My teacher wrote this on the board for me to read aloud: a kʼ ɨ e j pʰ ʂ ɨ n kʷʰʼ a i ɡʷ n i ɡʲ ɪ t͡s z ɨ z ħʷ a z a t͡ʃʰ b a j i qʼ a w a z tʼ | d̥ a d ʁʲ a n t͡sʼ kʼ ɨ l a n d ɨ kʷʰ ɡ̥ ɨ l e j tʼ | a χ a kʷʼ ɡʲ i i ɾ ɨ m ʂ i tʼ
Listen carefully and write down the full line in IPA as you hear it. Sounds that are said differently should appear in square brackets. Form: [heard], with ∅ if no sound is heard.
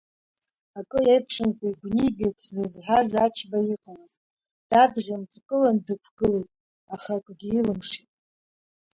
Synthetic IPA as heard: a kʼ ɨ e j pʰ ʂ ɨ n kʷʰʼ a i ɡʷ n i ɡʲ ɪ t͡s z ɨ z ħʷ a z a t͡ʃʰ b a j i qʼ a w a z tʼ | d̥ a d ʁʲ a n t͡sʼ kʼ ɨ l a n d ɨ kʷʰ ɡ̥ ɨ l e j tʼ | a χ a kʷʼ ɡʲ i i [l] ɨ m ʂ i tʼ

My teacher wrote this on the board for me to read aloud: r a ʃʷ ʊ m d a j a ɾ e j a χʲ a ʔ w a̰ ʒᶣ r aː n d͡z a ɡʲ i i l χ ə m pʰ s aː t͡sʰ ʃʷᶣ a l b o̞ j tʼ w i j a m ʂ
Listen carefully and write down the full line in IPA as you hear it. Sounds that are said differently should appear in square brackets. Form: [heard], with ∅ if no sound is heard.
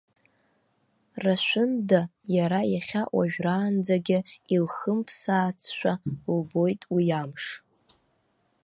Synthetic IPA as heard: r a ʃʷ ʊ [n] d a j a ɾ [a] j a χʲ a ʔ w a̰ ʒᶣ r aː n d͡z a ɡʲ [ɪ] i l χ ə m pʰ s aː t͡sʰ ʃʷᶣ a l b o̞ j tʼ w i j a m ʂ

